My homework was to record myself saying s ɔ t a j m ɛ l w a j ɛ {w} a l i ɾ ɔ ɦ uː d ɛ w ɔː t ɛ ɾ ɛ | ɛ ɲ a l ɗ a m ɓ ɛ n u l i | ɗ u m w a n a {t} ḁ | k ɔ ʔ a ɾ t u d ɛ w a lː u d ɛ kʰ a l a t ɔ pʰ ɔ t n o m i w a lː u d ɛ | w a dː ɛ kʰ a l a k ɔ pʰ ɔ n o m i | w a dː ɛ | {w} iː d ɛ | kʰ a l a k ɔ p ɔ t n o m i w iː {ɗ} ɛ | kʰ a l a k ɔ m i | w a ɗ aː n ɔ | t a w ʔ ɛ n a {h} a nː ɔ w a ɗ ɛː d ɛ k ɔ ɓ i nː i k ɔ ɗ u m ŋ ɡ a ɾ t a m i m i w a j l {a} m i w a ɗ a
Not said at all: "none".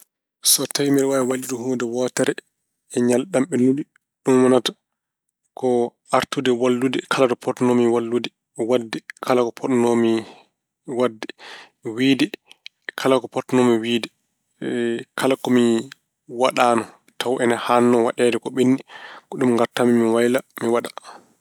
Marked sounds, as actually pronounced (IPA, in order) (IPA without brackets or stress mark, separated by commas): w, t, w, d, h, a